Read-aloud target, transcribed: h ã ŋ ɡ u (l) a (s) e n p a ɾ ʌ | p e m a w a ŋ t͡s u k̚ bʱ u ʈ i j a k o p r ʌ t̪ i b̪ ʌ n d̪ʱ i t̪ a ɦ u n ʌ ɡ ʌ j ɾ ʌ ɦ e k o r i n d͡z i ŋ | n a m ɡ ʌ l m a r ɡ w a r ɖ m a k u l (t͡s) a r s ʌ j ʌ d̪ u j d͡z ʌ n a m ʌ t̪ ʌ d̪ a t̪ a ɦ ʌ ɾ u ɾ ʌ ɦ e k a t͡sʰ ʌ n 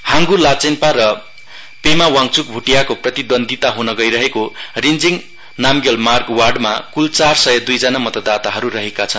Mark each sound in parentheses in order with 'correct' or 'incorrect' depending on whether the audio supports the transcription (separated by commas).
correct, incorrect, correct